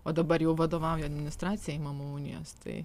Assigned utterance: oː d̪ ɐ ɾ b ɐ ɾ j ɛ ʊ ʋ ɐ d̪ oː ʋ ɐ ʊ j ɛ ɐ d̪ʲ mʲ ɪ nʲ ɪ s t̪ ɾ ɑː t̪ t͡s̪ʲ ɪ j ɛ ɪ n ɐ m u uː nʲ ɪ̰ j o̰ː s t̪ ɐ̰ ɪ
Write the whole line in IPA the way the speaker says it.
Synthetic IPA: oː d̪ ɐ b ɐ ɾ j ɛ ʊ ʋ ɐ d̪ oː ʋ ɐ ʊ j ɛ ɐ d̪ʲ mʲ ɪ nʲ ɪ s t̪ ɾ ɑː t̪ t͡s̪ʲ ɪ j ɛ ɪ m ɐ m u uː nʲ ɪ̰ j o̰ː s t̪ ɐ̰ ɪ